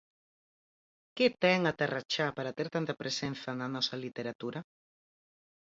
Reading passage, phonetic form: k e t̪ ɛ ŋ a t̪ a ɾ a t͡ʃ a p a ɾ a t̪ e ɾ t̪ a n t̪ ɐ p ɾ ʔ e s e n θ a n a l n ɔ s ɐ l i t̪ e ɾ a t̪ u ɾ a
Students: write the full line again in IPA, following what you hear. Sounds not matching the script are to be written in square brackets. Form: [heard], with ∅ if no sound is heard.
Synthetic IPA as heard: k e t̪ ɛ ŋ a t̪ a [r] a t͡ʃ a p a ɾ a t̪ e ɾ t̪ a n t̪ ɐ p ɾ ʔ e s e n θ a n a [∅] n ɔ s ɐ l i t̪ e ɾ a t̪ u ɾ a